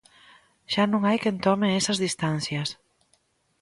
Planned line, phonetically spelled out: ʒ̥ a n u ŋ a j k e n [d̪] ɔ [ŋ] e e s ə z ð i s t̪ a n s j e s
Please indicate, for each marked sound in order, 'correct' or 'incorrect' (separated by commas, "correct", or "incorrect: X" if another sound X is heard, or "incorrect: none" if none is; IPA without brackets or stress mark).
incorrect: t̪, incorrect: m